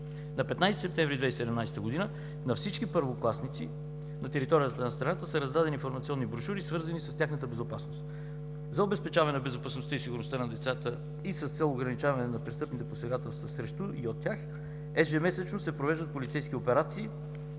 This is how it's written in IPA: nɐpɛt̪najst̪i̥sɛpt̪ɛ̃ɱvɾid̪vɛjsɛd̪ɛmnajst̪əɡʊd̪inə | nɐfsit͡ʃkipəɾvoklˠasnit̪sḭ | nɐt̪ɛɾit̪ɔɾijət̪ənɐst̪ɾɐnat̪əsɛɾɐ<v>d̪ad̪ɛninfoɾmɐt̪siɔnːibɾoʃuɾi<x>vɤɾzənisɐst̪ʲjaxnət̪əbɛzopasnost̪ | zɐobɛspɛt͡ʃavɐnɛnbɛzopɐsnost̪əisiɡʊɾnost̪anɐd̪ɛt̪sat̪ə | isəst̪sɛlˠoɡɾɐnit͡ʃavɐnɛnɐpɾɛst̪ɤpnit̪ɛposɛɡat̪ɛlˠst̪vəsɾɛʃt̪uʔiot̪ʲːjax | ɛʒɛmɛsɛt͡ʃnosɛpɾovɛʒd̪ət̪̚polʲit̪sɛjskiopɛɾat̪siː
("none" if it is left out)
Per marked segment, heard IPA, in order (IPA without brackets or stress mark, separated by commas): z, s